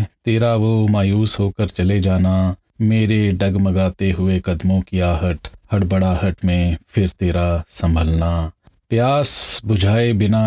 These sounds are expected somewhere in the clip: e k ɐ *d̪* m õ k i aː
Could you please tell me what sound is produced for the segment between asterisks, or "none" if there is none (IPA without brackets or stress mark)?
d̪